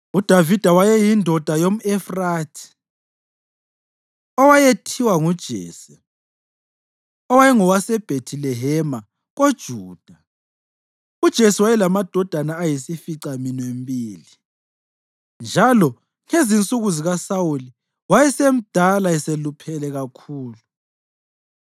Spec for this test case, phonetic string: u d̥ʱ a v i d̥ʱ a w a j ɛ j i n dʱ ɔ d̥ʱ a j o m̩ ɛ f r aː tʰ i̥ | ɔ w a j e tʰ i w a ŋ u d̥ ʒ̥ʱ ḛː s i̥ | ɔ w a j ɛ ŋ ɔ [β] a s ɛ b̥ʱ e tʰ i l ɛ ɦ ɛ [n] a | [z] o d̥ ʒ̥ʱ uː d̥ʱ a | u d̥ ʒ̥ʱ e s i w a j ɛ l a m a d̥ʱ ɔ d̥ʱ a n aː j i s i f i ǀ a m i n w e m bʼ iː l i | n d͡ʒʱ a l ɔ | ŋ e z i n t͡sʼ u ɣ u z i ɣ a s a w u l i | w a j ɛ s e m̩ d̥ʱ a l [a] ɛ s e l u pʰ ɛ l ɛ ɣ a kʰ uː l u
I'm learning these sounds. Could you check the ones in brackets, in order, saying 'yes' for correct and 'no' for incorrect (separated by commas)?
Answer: no, no, no, yes